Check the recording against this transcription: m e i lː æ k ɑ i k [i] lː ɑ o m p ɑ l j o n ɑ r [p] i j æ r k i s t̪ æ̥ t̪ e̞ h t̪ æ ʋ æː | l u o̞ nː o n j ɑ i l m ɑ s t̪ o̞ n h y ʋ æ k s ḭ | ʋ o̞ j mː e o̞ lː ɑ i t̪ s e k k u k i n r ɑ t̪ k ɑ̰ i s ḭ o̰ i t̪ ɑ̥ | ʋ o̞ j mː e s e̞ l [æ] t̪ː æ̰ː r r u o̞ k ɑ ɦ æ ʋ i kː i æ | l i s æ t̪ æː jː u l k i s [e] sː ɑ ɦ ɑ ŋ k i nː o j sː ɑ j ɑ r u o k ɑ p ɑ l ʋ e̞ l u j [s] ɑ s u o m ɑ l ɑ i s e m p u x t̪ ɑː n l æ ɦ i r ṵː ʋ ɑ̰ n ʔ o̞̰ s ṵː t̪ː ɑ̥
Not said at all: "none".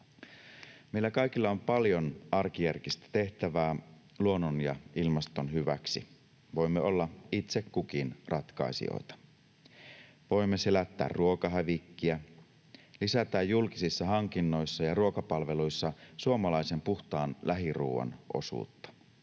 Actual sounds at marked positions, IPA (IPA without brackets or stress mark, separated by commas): i, k, æ, i, sː